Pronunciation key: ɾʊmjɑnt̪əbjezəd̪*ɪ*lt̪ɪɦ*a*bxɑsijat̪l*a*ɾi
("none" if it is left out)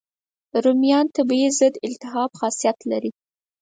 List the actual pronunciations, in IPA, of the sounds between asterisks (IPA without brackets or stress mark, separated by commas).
ɪ, ɑ, a